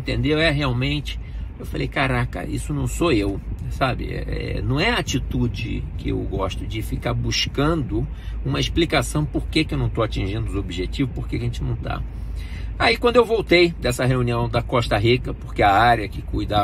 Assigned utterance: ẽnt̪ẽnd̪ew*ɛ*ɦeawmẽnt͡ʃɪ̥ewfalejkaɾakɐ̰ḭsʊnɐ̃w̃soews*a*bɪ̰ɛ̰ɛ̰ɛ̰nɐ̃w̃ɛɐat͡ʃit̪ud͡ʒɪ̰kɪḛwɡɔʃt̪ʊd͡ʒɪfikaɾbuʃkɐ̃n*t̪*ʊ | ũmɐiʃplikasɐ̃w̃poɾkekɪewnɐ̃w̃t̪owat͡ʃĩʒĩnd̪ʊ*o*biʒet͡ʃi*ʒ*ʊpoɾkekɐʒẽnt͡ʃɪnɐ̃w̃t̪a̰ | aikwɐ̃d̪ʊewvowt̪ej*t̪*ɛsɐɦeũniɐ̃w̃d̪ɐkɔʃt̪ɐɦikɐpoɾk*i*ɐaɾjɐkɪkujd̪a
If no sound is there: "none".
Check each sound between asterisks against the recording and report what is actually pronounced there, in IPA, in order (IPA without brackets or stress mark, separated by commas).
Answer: ɛ, a, d̪, o, v, d̪, e